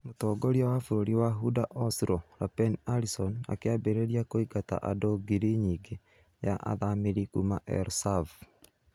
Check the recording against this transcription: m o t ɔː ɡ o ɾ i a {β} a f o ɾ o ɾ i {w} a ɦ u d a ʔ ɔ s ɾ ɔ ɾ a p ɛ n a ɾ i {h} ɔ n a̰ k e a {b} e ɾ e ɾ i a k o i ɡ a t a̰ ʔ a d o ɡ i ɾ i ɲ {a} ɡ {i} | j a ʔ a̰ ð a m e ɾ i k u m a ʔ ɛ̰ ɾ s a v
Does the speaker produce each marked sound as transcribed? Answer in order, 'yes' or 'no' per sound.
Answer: no, yes, no, yes, no, no

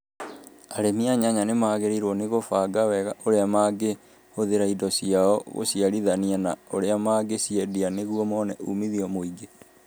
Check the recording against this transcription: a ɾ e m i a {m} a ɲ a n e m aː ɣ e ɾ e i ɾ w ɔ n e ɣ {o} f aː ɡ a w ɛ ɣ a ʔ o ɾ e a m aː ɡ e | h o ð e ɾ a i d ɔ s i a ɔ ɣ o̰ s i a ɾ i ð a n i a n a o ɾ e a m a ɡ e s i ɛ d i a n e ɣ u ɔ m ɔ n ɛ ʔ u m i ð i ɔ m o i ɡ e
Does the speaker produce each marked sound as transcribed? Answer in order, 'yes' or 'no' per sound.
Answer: no, yes

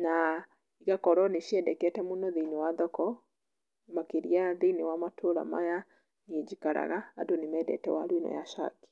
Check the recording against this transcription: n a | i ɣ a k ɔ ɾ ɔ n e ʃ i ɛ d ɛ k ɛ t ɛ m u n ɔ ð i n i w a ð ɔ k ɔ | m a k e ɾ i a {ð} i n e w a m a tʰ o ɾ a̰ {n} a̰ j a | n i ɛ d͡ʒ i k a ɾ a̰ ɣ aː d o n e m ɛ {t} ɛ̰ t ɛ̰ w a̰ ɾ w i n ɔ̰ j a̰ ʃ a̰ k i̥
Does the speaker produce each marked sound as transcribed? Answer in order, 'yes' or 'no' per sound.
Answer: yes, no, no

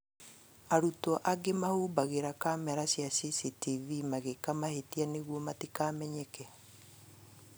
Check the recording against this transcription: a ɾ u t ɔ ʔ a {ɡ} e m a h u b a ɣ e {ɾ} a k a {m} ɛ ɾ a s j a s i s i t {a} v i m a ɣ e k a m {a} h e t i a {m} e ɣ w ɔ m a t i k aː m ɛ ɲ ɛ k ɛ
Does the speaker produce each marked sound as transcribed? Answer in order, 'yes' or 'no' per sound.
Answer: yes, yes, yes, no, yes, no

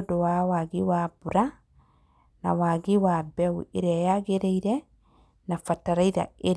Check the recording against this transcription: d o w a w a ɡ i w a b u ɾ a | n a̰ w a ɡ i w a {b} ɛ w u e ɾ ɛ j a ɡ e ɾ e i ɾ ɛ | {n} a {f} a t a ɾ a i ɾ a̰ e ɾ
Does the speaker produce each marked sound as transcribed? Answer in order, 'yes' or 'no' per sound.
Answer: yes, yes, yes

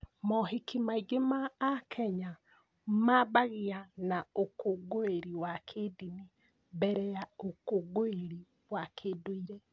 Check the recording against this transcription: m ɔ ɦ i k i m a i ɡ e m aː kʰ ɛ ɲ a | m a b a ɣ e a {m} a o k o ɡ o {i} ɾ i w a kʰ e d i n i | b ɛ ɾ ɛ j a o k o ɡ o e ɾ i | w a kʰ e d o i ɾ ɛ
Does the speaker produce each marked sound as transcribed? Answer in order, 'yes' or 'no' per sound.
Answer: no, no

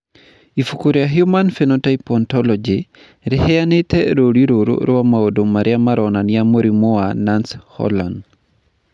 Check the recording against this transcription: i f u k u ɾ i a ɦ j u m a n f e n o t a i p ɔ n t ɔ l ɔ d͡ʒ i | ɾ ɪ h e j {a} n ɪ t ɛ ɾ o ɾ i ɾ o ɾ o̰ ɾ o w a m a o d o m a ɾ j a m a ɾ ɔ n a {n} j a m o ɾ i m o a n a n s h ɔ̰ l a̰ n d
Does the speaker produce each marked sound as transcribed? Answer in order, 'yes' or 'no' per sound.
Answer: yes, yes

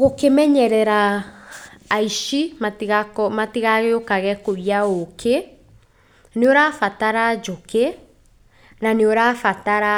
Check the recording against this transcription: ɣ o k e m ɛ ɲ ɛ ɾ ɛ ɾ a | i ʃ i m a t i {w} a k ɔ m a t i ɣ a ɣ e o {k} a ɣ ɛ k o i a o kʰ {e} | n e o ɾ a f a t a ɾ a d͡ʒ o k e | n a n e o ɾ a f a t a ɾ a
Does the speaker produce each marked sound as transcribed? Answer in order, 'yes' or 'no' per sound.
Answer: no, yes, yes

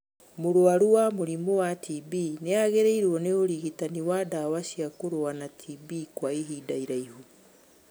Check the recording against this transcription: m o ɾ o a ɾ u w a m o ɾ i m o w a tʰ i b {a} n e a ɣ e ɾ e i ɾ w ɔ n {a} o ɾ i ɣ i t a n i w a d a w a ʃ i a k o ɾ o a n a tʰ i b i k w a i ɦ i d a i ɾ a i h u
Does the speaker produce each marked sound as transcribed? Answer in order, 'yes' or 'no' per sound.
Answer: no, no

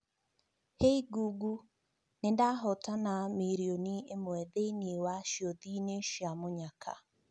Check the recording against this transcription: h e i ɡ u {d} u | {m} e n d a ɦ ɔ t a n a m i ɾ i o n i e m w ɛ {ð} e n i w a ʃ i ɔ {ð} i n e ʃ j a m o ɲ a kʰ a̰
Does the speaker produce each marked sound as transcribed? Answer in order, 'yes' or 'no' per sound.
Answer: no, no, yes, yes

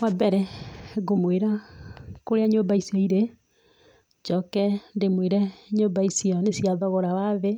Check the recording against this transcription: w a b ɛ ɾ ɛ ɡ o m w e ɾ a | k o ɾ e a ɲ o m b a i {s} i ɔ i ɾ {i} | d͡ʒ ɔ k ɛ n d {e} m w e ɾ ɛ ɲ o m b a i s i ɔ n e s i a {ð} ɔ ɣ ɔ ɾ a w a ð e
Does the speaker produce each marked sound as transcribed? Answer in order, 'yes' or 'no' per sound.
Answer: yes, no, yes, yes

